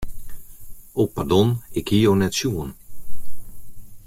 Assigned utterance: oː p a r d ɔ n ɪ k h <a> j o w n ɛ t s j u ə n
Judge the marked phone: incorrect: i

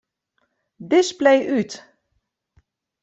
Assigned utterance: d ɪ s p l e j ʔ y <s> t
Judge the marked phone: incorrect: none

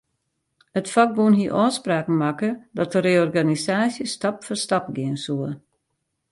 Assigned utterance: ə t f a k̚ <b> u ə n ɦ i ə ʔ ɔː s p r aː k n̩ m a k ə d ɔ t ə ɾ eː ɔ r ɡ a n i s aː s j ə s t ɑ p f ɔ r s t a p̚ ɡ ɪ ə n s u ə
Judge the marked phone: correct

